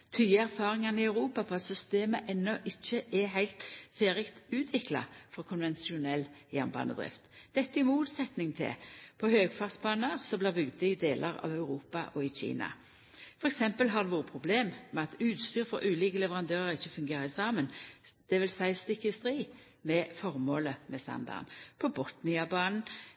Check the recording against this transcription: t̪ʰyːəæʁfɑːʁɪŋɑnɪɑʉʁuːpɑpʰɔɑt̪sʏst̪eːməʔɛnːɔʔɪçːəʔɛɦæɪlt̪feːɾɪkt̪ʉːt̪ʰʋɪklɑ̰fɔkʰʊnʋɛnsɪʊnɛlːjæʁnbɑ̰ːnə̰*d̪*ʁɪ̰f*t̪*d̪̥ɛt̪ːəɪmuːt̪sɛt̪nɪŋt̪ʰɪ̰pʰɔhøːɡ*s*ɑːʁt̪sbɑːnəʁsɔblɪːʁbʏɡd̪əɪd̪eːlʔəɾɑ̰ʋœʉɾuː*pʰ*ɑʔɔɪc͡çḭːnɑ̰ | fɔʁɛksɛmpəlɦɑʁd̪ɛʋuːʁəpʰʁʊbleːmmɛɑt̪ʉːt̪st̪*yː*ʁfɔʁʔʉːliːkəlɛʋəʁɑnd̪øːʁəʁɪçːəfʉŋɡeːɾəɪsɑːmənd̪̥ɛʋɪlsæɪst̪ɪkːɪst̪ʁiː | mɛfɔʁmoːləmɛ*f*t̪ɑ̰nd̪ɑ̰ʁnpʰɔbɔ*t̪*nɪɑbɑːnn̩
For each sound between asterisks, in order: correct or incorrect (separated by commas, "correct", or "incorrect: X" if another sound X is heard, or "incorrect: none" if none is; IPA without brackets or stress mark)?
correct, correct, incorrect: f, incorrect: p, correct, incorrect: s, correct